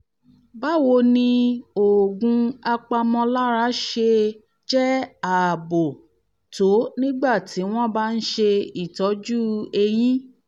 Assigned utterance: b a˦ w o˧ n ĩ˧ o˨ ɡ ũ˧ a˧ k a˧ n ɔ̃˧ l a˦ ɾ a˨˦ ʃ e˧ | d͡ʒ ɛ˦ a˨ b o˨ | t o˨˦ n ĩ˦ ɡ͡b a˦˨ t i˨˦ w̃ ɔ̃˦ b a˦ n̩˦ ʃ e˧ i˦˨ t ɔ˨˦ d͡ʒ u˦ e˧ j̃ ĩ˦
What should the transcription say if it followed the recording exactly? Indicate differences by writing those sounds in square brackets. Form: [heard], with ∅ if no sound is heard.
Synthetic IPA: b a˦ w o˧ n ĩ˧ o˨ ɡ ũ˧ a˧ [k͡p] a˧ [m] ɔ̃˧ l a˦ ɾ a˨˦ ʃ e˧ | d͡ʒ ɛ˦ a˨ b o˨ | t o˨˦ n ĩ˦ ɡ͡b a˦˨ t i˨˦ w̃ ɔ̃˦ b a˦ n̩˦ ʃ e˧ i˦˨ t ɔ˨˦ d͡ʒ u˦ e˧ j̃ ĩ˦